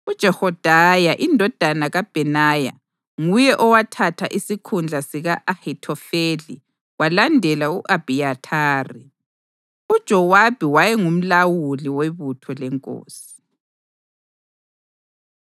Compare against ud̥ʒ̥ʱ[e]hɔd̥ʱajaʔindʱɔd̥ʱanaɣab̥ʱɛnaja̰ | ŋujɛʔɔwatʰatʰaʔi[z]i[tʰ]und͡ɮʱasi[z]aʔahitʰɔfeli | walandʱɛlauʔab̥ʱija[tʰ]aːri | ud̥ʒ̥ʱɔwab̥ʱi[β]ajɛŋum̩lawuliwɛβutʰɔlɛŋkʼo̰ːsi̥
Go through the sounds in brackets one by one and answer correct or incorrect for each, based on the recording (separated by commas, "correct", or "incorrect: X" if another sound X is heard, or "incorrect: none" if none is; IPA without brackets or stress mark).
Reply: incorrect: ɛ, incorrect: s, incorrect: kʰ, incorrect: ɣ, correct, incorrect: w